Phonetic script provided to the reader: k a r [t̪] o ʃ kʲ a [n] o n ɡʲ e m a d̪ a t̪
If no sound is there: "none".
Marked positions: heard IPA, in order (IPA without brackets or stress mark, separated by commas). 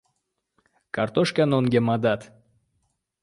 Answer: t̪, n